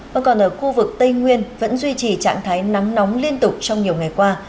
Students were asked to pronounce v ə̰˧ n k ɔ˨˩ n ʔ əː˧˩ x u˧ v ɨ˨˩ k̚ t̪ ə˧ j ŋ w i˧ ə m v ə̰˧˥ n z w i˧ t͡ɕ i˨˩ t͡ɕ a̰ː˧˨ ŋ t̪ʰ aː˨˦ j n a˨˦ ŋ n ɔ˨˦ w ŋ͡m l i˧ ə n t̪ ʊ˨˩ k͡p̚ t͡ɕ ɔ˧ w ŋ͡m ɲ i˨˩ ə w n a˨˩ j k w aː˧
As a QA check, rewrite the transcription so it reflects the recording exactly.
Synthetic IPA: v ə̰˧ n k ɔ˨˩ n ʔ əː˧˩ x u˧ v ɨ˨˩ k̚ t̪ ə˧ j ŋ w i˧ ə n v ə̰˧˥ n z w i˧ t͡ɕ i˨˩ t͡ɕ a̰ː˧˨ ŋ t̪ʰ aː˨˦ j n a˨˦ ŋ n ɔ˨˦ w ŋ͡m l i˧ ə n t̪ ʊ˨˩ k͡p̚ t͡ɕ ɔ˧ w ŋ͡m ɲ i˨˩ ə w ŋ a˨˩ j k w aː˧